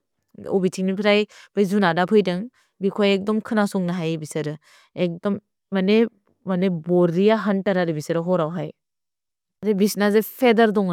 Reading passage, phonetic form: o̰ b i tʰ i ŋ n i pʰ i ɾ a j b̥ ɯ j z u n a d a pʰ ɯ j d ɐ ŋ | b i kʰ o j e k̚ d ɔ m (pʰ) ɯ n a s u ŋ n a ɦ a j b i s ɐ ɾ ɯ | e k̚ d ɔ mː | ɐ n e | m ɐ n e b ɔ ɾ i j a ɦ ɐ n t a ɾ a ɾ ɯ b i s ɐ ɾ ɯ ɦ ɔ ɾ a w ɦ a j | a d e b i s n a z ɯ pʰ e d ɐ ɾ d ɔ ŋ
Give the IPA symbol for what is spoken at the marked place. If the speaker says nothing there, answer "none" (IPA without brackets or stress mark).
kʰ